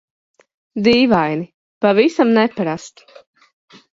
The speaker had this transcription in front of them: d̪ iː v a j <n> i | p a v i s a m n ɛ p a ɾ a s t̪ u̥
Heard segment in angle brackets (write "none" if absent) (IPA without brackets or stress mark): n